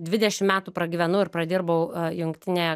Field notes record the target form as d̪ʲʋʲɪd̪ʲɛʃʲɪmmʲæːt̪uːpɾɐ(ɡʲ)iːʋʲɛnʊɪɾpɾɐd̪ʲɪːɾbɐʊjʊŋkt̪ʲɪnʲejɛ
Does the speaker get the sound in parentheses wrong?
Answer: no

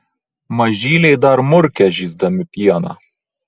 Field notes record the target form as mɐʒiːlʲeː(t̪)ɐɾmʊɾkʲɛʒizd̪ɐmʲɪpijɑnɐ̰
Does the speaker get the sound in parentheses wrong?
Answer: yes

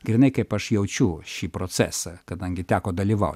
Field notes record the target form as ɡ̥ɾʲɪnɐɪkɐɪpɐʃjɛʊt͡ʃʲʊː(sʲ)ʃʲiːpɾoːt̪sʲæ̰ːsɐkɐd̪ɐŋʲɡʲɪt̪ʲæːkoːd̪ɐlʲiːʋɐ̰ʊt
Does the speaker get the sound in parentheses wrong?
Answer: yes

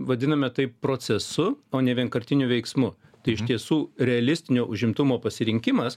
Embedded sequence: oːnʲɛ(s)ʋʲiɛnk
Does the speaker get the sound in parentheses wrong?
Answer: yes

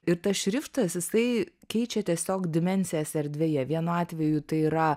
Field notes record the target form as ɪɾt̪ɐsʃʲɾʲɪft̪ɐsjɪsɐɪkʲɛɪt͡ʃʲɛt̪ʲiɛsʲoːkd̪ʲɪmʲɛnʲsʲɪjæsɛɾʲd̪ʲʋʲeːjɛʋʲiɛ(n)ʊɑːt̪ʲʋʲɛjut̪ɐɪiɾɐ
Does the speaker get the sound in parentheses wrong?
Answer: no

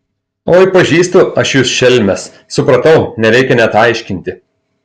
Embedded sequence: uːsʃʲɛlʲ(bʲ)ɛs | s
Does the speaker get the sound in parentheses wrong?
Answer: yes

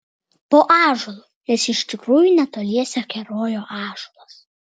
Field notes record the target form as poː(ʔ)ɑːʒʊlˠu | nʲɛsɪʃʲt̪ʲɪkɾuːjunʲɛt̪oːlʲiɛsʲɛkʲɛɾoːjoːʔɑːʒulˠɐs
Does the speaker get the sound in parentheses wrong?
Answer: no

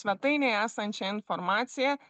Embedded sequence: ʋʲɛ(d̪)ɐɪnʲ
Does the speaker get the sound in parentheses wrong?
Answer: yes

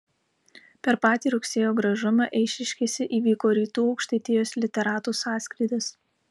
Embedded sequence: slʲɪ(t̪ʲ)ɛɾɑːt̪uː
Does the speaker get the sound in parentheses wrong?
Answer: no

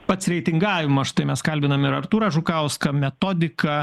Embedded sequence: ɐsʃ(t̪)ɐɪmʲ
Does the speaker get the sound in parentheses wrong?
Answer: no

